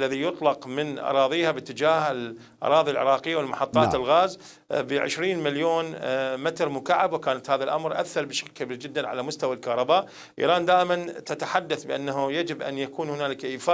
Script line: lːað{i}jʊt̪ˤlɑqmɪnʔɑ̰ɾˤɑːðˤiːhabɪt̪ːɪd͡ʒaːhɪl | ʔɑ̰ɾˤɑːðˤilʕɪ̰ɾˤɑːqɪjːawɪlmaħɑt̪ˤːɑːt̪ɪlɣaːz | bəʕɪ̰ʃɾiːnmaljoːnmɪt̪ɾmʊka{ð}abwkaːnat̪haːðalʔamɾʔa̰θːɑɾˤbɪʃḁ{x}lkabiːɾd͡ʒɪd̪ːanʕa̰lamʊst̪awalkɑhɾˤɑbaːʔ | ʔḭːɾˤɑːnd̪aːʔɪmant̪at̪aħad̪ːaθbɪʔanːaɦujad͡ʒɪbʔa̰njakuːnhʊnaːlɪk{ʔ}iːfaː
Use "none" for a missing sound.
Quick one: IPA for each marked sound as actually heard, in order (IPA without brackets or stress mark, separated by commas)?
i, ʕ, k, ʔ